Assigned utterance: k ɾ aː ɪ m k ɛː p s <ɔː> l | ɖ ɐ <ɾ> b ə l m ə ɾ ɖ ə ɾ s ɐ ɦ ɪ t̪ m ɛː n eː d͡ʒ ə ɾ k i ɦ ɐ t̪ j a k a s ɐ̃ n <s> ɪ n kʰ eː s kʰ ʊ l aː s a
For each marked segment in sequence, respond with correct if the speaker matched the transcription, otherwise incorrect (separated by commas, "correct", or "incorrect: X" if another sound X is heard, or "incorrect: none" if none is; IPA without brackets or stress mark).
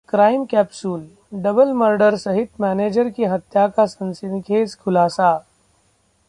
incorrect: uː, incorrect: none, correct